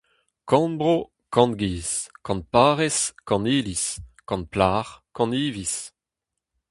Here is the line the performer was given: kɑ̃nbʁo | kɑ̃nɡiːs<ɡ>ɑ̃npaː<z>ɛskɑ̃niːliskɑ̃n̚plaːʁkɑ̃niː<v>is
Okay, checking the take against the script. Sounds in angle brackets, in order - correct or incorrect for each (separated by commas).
incorrect, incorrect, correct